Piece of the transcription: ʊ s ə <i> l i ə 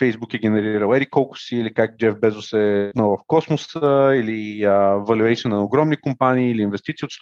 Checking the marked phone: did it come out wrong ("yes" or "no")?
no